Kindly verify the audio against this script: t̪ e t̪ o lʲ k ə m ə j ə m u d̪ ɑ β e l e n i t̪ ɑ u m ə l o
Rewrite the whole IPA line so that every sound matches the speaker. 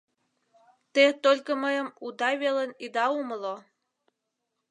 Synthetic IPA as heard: t̪ e t̪ o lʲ k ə m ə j ə m u d̪ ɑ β e l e n i d̪ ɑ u m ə l o

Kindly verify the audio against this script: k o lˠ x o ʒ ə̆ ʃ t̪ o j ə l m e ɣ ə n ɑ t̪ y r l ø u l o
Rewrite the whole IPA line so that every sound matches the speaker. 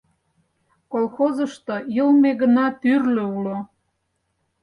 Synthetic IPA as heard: k o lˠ x o z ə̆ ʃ t̪ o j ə l m e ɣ ə n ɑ t̪ y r l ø u l o

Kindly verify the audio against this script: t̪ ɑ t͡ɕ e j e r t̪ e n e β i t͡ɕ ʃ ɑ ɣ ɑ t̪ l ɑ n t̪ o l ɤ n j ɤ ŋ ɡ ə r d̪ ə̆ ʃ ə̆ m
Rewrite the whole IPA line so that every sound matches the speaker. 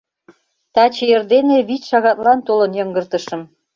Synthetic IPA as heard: t̪ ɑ t͡ɕ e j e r d̪ e n e β i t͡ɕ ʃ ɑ ɣ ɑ t̪ l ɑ n t̪ o l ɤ n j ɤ ŋ ɡ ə r t̪ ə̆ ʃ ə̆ m

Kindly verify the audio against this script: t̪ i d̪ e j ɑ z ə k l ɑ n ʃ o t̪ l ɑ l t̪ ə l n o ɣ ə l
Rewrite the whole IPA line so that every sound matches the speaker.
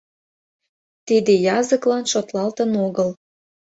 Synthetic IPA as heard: t̪ i d̪ e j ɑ z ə k l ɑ n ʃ o t̪ l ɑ l t̪ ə n o ɣ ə l

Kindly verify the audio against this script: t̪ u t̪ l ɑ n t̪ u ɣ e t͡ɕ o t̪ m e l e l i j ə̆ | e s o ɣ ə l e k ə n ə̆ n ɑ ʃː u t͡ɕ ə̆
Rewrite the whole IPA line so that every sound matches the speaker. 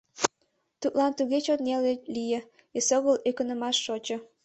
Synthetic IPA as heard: t̪ u t̪ l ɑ n t̪ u ɣ e t͡ɕ o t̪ n e l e l i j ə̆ | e s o ɣ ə l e k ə n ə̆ m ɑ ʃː o t͡ɕ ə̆

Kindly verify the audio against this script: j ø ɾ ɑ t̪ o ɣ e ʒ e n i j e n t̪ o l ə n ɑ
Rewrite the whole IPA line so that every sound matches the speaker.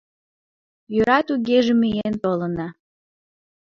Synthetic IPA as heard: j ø ɾ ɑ t̪ u ɣ e ʒ e m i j e n t̪ o l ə n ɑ

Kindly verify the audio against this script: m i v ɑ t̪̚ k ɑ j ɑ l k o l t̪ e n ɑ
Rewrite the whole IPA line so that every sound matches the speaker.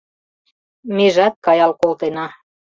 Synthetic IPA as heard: m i ʒ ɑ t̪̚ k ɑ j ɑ l k o l t̪ e n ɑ

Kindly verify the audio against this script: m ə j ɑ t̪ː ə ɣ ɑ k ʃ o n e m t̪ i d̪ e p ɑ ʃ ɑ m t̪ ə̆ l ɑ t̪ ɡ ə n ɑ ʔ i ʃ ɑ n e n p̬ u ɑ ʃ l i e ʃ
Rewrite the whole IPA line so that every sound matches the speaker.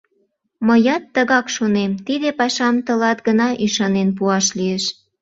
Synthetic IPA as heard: m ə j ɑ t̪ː ə ɣ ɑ k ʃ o n e m t̪ i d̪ e p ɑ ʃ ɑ m t̪ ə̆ l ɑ t̪ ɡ ə n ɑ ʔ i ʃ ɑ n e n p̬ u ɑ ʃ l i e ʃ

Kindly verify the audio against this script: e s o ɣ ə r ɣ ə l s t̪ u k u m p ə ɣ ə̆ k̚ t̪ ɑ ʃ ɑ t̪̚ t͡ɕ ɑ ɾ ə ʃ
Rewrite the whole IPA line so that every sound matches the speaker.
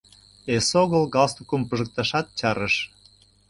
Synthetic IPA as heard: e s o ɣ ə l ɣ ɑ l s t̪ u k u m p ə ʒ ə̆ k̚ t̪ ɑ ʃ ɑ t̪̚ t͡ɕ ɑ ɾ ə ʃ

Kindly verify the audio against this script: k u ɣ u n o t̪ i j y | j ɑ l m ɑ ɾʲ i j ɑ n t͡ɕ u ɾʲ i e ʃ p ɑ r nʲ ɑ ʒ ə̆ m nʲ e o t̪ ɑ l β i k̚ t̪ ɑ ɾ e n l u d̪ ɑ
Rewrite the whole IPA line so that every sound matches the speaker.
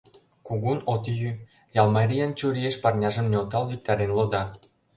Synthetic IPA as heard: k u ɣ u n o t̪ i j y | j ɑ l m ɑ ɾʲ i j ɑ n t͡ɕ u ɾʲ i e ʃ p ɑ r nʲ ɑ ʒ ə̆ m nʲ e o t̪ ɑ l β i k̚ t̪ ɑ ɾ e n l o d̪ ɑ

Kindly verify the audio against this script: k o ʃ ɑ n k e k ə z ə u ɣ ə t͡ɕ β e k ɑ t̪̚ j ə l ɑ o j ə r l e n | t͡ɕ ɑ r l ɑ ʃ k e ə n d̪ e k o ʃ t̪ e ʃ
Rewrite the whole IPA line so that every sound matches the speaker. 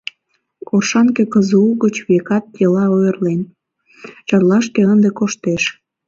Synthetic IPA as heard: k o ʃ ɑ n k e k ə z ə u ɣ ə t͡ɕ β e k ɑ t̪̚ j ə l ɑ o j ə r l e n | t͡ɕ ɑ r l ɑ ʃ k e ə n d̪ e k o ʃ t̪ e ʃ

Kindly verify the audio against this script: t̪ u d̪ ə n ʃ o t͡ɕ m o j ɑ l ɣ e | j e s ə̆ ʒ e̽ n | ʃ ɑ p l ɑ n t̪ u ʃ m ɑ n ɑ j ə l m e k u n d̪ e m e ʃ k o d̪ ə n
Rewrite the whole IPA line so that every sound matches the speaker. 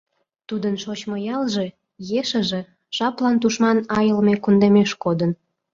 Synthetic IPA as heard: t̪ u d̪ ə n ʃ o t͡ɕ m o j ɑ l ʒ e | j e ʃ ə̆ ʒ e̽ | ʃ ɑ p l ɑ n t̪ u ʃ m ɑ n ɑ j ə l m e k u n d̪ e m e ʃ k o d̪ ə n

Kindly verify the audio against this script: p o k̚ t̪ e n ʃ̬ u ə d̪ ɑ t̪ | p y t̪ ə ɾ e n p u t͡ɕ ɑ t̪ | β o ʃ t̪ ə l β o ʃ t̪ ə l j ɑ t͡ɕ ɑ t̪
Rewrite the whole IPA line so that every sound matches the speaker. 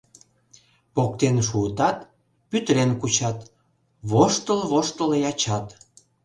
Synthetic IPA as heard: p o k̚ t̪ e n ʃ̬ u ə t̪ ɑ t̪ | p y t̪ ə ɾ e n k u t͡ɕ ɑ t̪ | β o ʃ t̪ ə l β o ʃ t̪ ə l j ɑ t͡ɕ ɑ t̪

